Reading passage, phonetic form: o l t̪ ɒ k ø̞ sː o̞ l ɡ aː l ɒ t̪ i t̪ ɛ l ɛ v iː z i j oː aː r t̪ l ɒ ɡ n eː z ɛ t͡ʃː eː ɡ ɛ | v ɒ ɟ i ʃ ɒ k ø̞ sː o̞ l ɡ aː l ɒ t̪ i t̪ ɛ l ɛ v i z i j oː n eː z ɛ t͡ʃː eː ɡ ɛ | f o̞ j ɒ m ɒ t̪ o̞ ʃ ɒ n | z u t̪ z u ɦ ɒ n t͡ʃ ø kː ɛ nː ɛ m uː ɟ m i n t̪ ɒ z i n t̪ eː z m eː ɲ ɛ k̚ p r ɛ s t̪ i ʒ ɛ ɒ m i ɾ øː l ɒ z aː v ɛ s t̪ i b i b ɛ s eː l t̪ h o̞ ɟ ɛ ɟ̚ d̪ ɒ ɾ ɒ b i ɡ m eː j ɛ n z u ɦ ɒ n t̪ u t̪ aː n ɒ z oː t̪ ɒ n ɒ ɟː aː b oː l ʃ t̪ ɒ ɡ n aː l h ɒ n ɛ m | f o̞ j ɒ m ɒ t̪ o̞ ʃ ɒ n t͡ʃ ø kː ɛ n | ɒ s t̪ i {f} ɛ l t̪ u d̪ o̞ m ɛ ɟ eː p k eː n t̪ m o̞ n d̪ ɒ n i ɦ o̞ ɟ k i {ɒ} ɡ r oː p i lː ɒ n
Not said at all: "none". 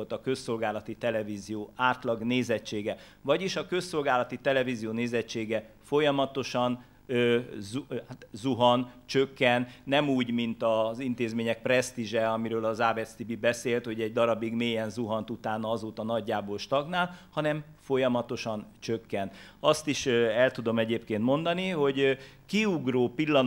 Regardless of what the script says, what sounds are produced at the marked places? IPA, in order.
ʃ, u

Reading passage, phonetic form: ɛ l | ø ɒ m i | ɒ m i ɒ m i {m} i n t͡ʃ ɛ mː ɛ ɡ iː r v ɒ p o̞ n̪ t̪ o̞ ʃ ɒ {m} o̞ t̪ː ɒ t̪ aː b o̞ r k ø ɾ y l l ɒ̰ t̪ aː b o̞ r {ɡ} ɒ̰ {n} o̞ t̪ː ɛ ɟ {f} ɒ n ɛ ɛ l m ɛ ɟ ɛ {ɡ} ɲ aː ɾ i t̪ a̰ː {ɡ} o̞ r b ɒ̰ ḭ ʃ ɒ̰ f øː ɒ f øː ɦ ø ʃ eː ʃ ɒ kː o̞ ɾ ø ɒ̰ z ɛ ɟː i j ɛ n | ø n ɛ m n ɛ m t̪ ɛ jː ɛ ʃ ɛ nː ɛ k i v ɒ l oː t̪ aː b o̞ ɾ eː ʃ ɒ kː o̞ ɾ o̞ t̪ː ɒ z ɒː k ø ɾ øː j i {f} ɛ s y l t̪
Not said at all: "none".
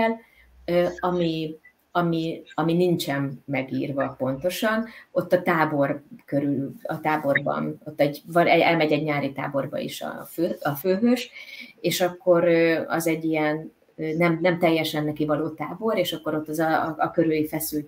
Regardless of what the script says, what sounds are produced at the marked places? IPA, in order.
n, n, b, n, v, ɟ, b, f

